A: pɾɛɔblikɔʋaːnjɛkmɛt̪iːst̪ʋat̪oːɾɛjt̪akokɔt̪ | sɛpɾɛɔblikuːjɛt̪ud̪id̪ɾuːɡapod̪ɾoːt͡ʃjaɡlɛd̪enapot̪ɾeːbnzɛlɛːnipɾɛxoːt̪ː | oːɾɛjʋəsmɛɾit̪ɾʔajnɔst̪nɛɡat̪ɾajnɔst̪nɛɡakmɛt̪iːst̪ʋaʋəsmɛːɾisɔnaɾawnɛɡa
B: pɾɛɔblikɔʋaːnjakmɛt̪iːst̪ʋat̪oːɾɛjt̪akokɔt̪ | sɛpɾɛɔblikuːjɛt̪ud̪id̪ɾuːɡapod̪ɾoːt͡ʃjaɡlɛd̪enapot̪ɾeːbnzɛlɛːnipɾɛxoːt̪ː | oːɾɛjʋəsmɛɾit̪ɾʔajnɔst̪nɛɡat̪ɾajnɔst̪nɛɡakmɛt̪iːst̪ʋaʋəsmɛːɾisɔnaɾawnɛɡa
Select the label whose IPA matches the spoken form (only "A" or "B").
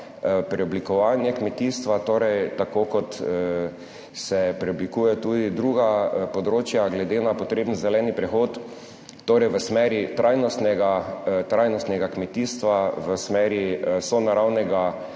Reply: A